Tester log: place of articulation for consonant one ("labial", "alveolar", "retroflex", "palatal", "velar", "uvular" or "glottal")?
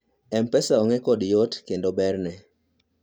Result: labial